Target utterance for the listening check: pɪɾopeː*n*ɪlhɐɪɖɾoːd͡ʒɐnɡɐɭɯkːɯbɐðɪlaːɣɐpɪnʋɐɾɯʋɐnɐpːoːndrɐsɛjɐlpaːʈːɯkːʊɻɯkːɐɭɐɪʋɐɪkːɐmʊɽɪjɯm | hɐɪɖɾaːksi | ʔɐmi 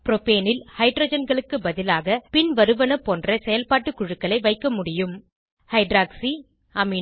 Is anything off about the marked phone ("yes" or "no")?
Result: no